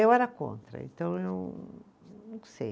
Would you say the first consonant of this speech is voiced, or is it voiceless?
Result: voiced